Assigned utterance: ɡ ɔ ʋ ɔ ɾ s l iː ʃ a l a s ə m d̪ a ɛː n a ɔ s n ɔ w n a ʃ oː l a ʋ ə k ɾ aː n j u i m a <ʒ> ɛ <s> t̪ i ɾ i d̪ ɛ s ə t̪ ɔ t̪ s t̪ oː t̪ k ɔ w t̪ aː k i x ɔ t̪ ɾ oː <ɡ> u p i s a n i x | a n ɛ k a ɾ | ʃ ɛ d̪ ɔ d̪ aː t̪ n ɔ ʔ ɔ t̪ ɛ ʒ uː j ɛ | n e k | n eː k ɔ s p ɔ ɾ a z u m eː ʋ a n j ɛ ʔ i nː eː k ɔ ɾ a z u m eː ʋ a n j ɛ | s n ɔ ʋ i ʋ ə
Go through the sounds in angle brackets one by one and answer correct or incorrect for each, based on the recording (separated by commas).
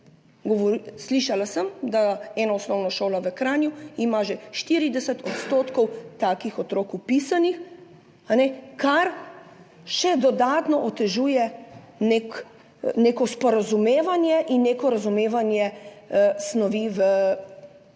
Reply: correct, incorrect, incorrect